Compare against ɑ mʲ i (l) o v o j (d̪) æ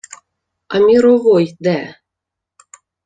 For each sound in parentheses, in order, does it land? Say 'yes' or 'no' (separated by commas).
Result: no, yes